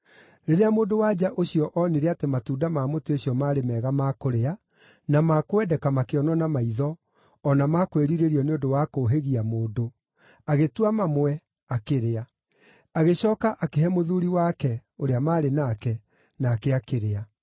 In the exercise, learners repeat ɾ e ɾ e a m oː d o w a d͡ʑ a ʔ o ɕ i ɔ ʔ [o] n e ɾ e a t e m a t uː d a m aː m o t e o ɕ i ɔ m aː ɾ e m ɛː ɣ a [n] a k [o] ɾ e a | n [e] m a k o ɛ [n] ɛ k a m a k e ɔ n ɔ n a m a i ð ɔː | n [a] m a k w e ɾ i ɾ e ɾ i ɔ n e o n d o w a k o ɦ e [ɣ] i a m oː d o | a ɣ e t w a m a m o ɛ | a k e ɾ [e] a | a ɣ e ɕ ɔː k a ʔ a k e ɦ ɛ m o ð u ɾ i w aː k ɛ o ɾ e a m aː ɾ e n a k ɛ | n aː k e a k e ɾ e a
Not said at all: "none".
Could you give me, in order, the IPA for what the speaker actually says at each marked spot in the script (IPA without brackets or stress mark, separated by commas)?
ɔ, m, o, a, d, a, ɣ, e